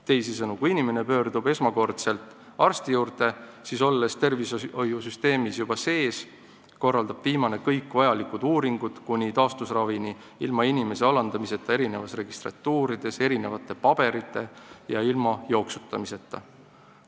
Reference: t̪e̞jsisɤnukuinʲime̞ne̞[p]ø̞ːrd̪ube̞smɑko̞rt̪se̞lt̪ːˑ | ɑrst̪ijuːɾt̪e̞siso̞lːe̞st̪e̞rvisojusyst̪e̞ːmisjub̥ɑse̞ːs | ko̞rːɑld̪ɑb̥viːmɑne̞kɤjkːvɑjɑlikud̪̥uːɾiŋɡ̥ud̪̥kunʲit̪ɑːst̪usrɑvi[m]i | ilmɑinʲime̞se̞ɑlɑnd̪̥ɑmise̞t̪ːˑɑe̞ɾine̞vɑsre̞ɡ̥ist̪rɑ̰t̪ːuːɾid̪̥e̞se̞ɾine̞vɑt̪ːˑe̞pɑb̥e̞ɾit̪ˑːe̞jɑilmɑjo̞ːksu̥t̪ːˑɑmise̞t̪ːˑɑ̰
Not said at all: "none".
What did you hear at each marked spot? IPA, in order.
p, n

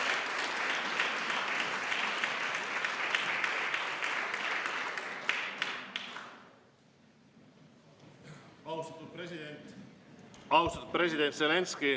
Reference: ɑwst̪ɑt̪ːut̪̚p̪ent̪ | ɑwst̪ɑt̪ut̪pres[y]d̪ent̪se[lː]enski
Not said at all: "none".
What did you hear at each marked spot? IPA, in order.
i, l

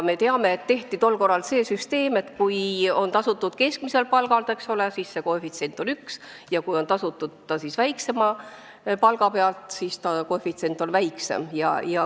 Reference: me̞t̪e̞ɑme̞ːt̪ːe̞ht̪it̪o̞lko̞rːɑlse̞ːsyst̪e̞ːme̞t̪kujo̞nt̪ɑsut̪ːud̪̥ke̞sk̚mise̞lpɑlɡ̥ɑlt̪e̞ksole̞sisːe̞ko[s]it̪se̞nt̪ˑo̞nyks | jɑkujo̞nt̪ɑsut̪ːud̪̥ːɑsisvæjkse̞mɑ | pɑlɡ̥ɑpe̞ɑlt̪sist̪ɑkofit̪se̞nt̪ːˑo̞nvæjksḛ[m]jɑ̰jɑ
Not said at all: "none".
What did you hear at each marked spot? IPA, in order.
f, m

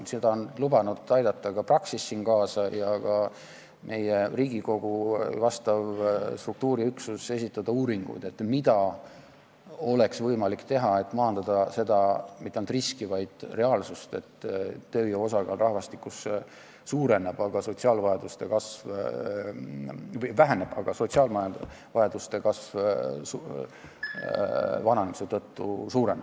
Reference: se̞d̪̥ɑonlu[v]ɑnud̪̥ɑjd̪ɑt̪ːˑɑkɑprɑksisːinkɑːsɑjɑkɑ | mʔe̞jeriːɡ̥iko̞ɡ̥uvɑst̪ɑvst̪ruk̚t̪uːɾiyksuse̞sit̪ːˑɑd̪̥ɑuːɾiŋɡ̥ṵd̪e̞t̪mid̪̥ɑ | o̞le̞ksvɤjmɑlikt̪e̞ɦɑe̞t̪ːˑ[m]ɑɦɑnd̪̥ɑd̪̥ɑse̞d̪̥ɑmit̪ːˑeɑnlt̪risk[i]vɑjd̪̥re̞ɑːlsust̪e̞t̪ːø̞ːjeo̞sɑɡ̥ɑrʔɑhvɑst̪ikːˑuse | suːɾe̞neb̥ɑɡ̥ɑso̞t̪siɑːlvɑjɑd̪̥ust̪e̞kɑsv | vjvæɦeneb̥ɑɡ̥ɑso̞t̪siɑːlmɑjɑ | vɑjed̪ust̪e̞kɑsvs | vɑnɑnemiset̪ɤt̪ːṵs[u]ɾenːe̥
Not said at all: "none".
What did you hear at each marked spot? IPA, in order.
b, m, i, uː

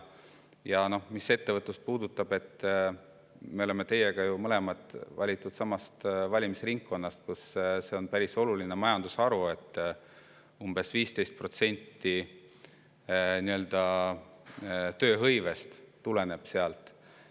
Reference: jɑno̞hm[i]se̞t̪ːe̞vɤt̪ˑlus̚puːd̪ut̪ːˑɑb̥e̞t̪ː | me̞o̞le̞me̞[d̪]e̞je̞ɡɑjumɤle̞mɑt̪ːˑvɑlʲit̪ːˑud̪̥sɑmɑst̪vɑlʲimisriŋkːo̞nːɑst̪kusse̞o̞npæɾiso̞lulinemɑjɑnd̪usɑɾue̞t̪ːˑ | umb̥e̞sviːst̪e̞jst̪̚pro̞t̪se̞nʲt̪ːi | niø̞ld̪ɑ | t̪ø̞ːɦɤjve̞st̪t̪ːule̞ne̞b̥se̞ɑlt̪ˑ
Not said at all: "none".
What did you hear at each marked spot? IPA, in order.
i, t̪

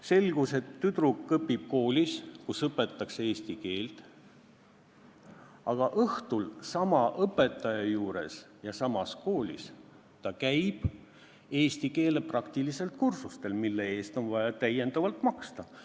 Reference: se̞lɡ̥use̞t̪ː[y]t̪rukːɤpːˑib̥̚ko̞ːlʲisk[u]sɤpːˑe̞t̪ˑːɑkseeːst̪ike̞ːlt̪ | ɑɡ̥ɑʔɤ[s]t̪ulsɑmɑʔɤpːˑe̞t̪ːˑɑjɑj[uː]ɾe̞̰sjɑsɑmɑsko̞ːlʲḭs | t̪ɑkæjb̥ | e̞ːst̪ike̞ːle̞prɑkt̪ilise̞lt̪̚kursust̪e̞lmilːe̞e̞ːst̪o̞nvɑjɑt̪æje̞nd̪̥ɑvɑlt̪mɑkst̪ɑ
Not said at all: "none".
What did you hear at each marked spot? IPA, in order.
y, u, h, uː

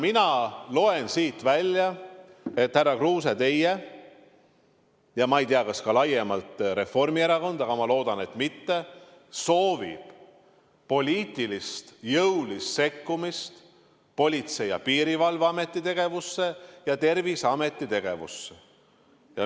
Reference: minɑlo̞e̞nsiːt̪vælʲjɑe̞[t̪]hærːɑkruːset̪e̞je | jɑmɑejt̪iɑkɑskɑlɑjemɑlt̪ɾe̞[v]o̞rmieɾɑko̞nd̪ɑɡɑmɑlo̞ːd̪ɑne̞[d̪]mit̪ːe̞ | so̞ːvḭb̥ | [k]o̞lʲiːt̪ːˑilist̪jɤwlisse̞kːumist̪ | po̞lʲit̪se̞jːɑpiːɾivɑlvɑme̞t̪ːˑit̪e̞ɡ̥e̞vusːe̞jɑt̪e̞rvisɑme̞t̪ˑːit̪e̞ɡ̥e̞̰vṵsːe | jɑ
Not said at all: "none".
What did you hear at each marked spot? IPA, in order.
t̪, f, t̪, p

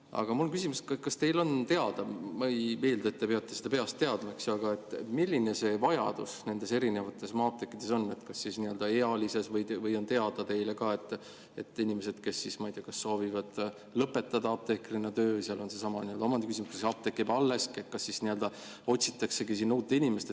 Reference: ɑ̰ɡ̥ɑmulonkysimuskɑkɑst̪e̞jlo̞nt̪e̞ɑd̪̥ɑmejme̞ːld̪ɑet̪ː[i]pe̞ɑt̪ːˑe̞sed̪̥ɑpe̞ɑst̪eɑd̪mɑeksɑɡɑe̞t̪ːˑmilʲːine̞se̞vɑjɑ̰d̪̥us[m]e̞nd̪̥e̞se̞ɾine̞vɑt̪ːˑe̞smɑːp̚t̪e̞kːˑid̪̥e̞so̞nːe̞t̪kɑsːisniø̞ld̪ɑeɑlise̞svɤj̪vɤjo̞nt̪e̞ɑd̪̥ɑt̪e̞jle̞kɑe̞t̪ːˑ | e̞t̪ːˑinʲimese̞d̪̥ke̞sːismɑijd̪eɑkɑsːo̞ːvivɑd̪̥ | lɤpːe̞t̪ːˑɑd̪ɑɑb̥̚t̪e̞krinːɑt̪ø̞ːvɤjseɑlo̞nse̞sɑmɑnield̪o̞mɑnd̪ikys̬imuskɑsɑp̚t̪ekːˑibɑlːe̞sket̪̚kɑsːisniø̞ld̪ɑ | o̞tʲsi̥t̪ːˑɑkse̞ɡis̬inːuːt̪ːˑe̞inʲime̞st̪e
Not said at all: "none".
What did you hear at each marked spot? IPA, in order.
e, n

